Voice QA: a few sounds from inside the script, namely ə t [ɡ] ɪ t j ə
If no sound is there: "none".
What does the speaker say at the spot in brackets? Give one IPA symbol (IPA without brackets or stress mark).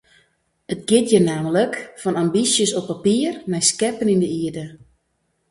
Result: ɡ